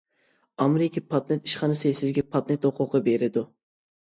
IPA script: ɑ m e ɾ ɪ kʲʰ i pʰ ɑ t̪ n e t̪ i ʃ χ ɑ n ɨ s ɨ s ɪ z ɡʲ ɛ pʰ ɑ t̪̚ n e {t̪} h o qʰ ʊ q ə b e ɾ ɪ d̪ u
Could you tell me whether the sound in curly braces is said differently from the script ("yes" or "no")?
no